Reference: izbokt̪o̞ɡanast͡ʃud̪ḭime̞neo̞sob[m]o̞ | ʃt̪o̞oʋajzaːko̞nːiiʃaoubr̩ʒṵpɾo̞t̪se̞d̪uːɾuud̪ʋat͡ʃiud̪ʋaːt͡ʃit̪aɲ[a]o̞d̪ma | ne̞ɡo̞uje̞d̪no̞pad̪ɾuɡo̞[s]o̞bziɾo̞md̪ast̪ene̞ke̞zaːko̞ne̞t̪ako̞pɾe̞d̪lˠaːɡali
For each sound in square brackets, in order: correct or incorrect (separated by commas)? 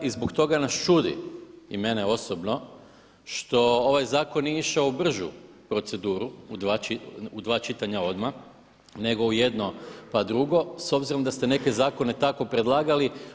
incorrect, correct, correct